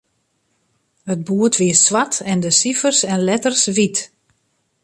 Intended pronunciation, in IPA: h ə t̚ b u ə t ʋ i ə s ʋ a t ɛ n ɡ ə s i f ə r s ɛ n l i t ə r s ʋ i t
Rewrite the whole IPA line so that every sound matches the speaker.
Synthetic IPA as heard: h ə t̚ b u ə t ʋ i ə s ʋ a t ɛ n d ə s i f ə r s ɛ n l ɛ t ə r s ʋ i t